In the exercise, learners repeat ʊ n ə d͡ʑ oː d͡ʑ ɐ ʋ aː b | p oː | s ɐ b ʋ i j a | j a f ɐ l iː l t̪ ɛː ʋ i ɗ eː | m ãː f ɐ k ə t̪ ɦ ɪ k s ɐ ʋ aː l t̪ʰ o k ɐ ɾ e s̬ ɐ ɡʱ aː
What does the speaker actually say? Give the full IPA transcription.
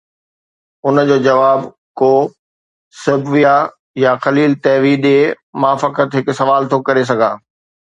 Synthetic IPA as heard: ʊ n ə d͡ʑ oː d͡ʑ ɐ ʋ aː b | k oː | s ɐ b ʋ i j a | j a x ɐ l iː l t̪ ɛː ʋ i ɗ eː | m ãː f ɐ k ə t̪ ɦ ɪ k s ɐ ʋ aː l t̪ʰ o k ɐ ɾ e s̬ ɐ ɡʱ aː